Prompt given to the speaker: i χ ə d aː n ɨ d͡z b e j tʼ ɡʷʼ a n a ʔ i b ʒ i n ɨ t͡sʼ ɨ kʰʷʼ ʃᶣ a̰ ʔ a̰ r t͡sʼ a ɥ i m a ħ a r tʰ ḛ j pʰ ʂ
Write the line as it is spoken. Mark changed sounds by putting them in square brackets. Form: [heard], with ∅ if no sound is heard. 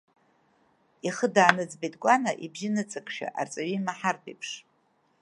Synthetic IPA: i χ ə d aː n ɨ d͡z b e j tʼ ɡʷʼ a n a ʔ i b ʒ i n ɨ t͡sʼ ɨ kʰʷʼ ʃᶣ a̰ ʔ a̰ r t͡sʼ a ɥ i m a ħ a r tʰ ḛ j pʰ ʂ